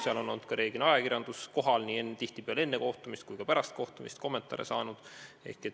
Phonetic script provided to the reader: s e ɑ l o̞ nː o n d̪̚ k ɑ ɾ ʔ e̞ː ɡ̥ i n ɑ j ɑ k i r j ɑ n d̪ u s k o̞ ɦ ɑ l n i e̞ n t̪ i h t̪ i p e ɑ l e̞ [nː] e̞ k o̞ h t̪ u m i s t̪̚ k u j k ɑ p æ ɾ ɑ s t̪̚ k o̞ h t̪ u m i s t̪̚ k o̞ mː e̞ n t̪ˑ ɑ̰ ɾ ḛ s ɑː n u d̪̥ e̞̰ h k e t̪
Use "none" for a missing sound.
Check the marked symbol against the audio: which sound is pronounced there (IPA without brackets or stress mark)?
nː